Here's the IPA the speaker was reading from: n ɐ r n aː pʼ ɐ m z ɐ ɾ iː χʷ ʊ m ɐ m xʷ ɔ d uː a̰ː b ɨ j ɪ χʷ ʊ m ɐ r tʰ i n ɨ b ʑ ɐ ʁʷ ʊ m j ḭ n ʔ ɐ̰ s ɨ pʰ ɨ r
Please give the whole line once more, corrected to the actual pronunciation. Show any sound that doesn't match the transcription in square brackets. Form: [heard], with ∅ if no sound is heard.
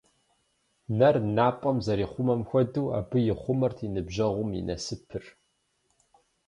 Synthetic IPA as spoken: n ɐ r n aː pʼ ɐ m z ɐ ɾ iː χʷ ʊ m ɐ m xʷ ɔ d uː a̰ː b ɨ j ɪ χʷ ʊ m ɐ r tʰ i n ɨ b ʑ ɐ ʁʷ ʊ m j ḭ n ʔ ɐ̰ s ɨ pʰ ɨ r